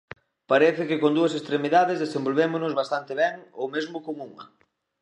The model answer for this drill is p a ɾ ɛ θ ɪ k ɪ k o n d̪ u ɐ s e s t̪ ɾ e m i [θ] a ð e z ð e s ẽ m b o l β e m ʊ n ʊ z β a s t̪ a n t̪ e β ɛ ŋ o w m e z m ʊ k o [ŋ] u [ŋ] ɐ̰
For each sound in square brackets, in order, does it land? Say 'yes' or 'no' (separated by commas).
no, yes, yes